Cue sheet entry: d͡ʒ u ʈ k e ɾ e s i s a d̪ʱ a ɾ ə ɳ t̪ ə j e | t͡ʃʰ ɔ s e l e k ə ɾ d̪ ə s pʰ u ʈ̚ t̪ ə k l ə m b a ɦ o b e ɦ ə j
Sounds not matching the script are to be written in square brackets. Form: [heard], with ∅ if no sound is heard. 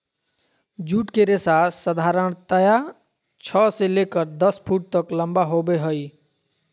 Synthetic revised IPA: d͡ʒ u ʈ k e ɾ e s [a] s [ə] d̪ʱ a ɾ ə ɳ t̪ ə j [a] | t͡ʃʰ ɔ s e l e k ə ɾ d̪ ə s pʰ u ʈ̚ t̪ ə k l ə m b a ɦ o b e ɦ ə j